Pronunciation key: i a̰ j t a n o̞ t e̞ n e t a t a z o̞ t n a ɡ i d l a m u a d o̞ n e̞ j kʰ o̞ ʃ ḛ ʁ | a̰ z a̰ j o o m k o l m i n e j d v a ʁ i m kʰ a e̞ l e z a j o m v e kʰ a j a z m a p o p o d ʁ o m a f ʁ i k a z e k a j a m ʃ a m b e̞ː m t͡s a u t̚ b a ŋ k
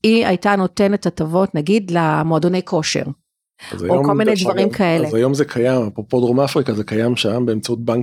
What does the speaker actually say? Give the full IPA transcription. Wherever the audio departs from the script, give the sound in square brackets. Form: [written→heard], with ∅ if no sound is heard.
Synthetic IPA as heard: i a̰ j t a n o̞ t e̞ n e t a t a [z→v] o̞ t n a ɡ i d l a m [u→o] a d o̞ n e̞ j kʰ o̞ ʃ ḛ ʁ | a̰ z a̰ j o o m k o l m i n e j d v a ʁ i m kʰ a e̞ l e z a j o m [v→z] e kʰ a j a [z→∅] m a p o p o d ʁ o m a f ʁ i k a z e k a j a m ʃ a m b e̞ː m t͡s a u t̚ b a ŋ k